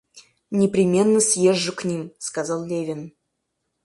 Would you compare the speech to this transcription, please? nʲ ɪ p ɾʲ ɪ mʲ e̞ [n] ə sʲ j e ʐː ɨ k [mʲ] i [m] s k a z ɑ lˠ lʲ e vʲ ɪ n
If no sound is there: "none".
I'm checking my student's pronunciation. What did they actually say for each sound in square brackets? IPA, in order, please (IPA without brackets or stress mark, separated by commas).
nː, nʲ, m